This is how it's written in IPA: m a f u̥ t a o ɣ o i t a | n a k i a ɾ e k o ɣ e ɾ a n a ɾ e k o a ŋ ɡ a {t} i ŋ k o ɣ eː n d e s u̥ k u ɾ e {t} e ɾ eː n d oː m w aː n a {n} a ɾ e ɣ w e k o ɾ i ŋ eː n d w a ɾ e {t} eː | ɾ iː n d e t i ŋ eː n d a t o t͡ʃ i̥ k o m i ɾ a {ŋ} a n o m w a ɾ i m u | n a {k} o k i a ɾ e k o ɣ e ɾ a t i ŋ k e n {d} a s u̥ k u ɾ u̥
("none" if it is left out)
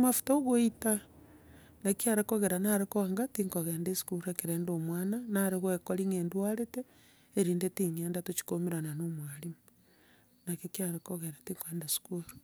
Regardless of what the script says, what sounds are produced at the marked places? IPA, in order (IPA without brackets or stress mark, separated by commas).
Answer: t, k, n, t, n, k, d